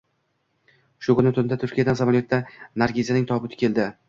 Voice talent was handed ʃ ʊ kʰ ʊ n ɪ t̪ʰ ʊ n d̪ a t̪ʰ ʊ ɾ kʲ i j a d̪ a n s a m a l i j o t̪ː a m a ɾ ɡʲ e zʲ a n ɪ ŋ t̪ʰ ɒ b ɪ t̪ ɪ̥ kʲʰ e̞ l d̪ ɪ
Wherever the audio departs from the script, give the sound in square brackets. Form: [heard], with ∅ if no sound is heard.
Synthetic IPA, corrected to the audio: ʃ ʊ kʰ ʊ n ɪ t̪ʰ ʊ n d̪ a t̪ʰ ʊ ɾ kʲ i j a d̪ a n s a m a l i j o t̪ː a [n] a ɾ ɡʲ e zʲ a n ɪ ŋ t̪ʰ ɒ b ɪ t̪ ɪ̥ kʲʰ e̞ l d̪ ɪ